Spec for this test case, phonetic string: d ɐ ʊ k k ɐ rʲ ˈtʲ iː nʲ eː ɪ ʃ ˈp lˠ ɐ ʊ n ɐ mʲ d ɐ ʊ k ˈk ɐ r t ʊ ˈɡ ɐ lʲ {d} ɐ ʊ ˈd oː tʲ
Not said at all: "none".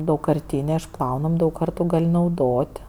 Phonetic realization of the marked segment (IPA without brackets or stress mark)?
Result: n